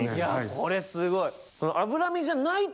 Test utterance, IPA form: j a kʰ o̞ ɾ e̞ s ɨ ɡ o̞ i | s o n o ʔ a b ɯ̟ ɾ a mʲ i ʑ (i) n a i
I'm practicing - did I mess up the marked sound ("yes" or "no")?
yes